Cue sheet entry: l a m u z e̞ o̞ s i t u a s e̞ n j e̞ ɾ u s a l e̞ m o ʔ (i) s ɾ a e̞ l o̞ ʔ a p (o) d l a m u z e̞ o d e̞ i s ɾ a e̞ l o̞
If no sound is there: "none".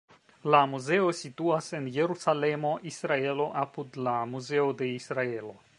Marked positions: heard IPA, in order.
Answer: i, u

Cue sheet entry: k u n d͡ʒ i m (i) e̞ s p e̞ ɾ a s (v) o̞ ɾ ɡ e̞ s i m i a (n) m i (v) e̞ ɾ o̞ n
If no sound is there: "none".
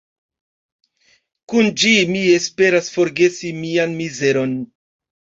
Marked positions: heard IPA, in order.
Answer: i, f, n, z

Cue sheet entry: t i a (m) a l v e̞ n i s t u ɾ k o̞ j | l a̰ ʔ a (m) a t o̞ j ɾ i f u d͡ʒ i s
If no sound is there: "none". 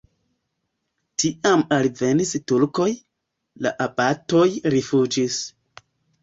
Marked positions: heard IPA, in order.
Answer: m, b

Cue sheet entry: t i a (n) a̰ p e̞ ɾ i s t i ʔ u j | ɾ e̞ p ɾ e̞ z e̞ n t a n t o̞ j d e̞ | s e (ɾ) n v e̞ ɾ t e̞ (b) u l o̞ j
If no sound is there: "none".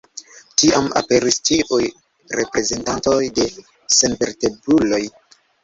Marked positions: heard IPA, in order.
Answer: m, none, b

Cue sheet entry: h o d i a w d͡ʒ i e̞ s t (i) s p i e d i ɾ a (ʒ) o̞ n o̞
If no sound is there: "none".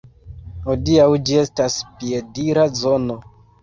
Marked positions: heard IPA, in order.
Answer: a, z

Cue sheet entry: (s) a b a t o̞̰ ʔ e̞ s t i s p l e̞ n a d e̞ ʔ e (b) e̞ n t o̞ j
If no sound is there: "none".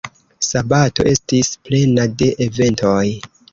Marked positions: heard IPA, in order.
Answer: s, v

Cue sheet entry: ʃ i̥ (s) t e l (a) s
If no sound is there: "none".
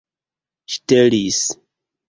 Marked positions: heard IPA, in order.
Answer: none, i

